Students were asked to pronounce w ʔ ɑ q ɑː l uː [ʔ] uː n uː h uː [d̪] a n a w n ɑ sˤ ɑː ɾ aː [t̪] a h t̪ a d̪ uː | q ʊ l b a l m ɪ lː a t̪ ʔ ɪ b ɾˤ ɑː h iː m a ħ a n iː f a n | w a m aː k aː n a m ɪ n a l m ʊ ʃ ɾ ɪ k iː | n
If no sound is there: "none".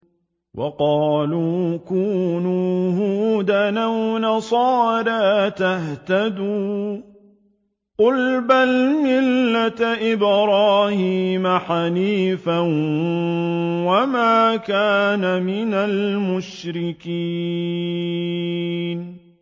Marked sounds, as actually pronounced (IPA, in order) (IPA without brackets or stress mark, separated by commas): k, d̪, t̪